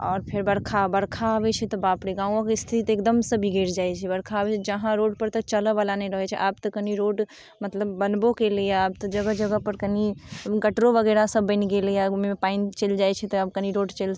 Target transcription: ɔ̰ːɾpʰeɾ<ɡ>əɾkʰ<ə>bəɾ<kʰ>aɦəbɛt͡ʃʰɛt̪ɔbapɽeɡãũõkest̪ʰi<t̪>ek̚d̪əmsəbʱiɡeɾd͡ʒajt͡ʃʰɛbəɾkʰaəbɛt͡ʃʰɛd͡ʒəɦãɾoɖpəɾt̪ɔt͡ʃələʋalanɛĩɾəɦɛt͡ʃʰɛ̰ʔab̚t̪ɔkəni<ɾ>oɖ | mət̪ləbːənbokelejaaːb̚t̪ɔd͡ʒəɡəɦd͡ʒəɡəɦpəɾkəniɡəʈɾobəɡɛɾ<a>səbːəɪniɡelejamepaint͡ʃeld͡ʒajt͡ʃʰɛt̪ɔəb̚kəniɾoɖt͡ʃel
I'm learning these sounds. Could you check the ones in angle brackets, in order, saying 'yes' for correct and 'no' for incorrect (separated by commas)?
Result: no, no, yes, yes, yes, yes